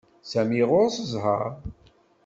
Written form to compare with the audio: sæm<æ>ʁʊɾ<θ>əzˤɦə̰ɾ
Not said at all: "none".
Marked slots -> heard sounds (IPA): i, s

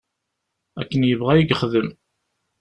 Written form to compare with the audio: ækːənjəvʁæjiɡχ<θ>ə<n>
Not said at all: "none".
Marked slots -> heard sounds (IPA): ð, m

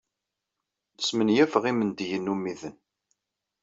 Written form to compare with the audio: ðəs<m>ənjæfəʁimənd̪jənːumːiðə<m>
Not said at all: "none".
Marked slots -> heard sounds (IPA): m, n

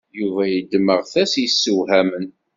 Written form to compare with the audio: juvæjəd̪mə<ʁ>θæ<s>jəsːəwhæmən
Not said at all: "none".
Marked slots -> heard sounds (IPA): ʁ, s

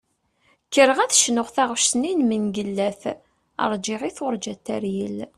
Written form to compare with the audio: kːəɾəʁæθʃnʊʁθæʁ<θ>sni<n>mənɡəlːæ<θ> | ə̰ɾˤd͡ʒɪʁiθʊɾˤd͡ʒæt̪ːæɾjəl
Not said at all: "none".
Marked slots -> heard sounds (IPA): ʃ, n, θ

